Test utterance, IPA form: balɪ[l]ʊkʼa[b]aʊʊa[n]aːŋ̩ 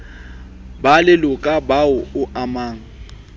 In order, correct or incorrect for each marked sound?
correct, correct, incorrect: m

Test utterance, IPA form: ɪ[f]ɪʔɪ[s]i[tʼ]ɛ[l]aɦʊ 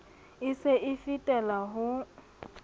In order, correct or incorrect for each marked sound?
incorrect: s, incorrect: f, correct, correct

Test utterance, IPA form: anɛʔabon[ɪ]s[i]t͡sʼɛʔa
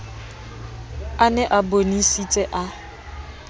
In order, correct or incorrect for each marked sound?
incorrect: i, correct

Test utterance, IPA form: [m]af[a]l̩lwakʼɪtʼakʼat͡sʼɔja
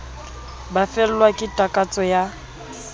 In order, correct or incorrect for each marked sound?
incorrect: b, incorrect: ɛ

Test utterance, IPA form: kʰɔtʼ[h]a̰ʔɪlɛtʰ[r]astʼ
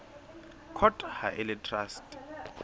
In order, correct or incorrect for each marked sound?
correct, correct

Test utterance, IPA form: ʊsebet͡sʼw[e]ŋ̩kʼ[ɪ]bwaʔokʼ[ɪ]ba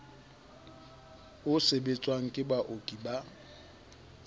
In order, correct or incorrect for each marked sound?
incorrect: a, correct, incorrect: i

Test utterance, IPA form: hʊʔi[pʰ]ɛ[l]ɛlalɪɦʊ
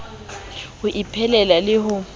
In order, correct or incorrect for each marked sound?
correct, correct

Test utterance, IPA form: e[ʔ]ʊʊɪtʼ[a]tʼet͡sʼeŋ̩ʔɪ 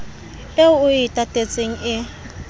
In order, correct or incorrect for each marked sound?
incorrect: none, correct

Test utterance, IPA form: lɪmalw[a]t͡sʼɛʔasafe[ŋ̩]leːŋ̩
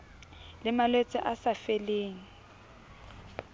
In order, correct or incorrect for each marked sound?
incorrect: e, incorrect: none

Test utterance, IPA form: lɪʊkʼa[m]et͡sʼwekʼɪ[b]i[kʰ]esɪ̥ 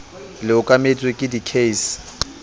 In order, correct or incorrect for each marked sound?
correct, incorrect: d, correct

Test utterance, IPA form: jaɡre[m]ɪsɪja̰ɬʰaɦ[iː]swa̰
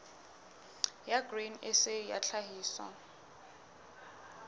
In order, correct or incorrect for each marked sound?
incorrect: n, correct

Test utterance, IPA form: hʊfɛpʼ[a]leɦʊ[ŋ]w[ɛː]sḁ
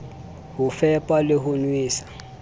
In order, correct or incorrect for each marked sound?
correct, incorrect: n, incorrect: iː

